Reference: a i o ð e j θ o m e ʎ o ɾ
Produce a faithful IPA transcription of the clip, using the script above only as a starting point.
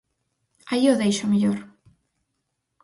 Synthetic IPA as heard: a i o ð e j ʃ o m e ʎ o ɾ